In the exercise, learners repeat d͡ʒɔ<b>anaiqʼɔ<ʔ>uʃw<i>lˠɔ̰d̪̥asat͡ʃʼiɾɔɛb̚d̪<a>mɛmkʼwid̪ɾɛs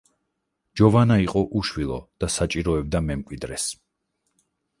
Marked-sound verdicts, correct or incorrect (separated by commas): incorrect, correct, correct, correct